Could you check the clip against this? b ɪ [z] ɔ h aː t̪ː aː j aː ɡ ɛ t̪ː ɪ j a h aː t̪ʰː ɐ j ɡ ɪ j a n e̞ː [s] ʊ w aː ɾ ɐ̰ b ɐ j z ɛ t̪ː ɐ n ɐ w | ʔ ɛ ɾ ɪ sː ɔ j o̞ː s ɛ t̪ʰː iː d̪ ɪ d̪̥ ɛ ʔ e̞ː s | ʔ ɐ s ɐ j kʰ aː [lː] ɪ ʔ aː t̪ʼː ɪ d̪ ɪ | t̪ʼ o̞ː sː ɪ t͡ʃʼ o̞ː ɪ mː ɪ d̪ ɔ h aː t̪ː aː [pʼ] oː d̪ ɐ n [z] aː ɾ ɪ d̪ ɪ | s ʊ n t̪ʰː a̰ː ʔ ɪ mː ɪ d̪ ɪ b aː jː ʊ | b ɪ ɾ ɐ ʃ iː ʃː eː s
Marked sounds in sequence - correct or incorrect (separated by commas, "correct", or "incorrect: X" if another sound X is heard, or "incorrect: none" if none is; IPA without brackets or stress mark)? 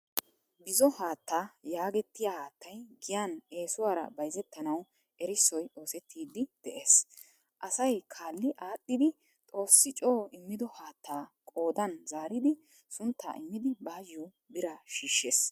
correct, correct, correct, incorrect: kʼ, correct